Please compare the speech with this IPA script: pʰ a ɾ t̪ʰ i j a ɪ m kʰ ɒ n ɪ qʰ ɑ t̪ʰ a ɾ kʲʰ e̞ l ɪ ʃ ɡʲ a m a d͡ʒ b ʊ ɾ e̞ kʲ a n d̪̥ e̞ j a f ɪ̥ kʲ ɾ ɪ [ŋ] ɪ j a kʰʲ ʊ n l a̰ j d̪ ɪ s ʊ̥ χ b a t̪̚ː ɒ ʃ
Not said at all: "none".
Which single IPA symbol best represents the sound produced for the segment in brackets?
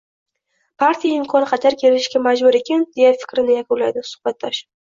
n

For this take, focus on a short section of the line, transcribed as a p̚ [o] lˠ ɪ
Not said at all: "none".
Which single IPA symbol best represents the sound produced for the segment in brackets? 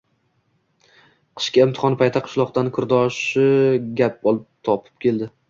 ɒ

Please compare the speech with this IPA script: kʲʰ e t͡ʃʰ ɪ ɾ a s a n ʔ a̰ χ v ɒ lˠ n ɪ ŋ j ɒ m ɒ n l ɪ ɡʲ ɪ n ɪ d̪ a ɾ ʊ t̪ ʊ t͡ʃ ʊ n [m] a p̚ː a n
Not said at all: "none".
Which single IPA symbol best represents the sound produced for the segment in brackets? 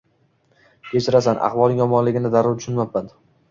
m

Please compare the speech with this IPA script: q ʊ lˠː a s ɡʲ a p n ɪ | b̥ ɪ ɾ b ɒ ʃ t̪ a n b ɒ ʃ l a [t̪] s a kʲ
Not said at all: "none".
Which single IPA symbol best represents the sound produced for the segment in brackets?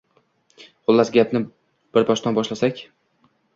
none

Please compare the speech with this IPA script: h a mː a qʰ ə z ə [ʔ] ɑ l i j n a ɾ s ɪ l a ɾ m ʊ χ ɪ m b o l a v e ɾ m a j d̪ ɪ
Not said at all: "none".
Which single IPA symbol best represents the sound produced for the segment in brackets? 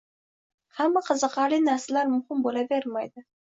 q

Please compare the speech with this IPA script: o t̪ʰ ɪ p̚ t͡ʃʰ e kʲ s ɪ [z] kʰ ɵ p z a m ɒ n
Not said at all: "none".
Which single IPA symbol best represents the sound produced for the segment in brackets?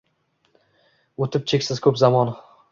z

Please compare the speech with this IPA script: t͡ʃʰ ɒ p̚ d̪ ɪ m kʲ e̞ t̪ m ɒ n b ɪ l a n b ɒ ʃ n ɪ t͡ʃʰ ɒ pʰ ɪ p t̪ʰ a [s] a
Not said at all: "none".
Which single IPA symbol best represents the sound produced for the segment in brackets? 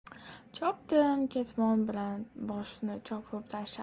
ʃ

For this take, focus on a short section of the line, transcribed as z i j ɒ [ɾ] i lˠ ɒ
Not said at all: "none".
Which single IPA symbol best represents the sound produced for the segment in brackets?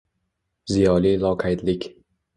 l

